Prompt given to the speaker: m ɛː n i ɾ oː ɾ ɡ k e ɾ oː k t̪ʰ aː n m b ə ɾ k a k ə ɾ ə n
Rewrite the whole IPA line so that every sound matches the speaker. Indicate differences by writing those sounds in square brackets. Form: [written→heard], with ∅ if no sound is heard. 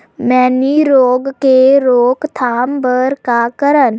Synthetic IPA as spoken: m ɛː n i ɾ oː [ɾ→∅] ɡ k e ɾ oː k t̪ʰ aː [n→∅] m b ə ɾ k a k ə ɾ ə n

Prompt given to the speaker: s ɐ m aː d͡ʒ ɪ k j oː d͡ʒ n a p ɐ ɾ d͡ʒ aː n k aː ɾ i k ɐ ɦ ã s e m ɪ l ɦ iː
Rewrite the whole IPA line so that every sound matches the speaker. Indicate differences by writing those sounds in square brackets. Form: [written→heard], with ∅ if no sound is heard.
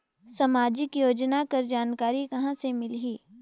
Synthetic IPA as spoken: s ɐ m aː d͡ʒ ɪ k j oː d͡ʒ n a [p→k] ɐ ɾ d͡ʒ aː n k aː ɾ i k ɐ ɦ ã s e m ɪ l ɦ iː

